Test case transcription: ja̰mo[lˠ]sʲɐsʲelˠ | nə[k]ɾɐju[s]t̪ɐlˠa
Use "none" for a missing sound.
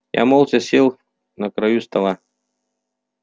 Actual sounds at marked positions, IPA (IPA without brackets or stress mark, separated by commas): lˠ, k, s